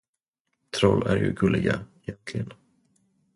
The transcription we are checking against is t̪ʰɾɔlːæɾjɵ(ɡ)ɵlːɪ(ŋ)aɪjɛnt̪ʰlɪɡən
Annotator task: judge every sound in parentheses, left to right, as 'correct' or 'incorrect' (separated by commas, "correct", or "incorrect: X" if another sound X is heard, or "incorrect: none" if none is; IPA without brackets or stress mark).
correct, incorrect: ɡ